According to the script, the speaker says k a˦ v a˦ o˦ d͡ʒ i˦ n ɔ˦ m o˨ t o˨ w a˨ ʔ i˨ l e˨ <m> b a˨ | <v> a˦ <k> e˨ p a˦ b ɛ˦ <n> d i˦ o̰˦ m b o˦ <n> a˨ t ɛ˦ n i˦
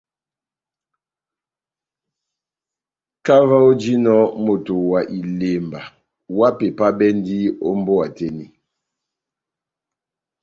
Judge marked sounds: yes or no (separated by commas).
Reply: yes, no, no, yes, no